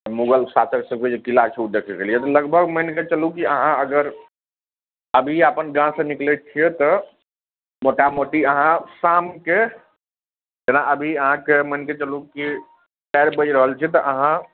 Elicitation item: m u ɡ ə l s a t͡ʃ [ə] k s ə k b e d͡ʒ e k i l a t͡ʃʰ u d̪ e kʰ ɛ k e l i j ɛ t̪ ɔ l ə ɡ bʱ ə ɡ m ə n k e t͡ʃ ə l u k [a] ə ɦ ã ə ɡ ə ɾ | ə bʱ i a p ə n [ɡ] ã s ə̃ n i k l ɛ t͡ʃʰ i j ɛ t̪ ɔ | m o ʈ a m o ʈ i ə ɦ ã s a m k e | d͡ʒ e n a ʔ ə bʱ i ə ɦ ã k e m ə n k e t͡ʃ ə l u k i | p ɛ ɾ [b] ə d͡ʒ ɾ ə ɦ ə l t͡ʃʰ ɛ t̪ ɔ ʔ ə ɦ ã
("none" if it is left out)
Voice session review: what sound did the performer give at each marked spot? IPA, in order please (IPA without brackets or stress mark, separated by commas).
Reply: ə, i, ɡ, b